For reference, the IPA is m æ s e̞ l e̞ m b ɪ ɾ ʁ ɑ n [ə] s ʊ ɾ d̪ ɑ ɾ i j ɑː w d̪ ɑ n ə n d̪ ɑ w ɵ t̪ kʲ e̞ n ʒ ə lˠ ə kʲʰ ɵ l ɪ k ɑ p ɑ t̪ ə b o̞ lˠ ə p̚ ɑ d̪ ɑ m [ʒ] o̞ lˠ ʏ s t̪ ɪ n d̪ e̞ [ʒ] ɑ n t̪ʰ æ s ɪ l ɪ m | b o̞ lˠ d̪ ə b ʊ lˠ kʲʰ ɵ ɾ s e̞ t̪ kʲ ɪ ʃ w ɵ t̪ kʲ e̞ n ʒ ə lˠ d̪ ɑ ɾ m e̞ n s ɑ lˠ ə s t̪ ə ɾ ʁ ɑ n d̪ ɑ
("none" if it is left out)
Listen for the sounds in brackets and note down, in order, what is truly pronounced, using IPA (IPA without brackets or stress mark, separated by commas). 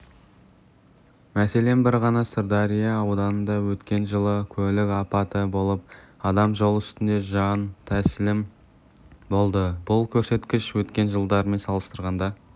ɑ, ʒ, ʒ